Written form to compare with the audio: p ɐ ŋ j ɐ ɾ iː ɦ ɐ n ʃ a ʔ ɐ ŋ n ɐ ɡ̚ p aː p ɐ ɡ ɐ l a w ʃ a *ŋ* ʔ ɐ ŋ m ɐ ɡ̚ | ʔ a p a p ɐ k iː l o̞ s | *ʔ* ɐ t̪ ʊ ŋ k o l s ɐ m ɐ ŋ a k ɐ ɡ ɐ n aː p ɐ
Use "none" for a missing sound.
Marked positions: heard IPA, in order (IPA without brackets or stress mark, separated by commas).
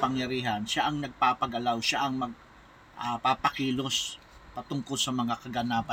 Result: none, p